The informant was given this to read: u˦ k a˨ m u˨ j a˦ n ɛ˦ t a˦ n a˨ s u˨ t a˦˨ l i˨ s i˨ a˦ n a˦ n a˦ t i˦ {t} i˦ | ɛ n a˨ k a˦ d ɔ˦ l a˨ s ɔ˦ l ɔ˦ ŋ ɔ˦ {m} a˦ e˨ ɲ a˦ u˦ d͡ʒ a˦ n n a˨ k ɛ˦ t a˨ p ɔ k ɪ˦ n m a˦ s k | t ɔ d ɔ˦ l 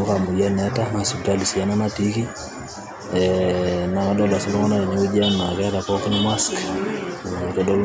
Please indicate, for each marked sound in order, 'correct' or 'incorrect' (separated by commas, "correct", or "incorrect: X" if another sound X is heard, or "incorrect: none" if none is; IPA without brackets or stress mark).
incorrect: k, incorrect: n